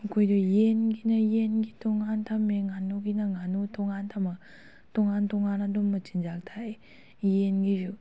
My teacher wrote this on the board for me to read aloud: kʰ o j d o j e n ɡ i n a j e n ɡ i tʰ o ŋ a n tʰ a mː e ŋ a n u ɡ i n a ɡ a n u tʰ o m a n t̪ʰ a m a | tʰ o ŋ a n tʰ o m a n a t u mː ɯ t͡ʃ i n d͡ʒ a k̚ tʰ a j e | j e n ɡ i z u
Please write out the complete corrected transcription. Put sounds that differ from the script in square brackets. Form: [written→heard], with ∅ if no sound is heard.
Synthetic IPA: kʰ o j d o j e n ɡ i n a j e n ɡ i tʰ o ŋ a n tʰ a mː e ŋ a n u ɡ i n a [ɡ→ŋ] a n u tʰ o [m→ŋ] a n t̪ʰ a m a | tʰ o ŋ a n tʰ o [m→ŋ] a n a [t→d] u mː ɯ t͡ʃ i n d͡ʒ a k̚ tʰ a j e | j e n ɡ i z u